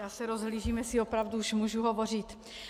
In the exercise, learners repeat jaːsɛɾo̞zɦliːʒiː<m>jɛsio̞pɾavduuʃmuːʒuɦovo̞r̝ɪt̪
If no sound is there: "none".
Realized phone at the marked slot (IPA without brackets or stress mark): m